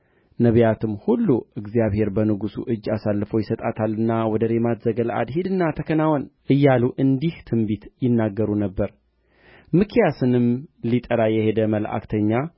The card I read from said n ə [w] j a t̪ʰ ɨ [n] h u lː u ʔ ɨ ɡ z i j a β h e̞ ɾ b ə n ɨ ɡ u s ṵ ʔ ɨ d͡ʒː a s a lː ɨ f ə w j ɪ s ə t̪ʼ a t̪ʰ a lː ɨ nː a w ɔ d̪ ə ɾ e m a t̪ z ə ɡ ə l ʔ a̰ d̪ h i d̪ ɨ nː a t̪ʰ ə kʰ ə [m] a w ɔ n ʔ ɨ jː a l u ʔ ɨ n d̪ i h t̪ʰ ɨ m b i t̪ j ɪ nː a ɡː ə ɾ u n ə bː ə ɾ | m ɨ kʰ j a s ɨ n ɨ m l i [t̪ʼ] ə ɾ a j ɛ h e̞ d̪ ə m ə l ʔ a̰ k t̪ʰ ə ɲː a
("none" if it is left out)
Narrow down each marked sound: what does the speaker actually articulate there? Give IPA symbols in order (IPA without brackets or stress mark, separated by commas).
β, m, n, t̪ʼ